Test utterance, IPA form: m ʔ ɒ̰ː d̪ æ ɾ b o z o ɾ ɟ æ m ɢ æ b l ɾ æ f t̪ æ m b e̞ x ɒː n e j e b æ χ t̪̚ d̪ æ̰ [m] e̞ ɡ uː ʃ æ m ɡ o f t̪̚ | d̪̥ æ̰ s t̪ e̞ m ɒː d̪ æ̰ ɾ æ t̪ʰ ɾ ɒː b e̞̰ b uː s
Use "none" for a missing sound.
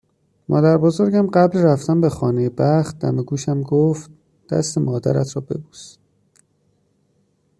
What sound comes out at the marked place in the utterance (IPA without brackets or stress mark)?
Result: m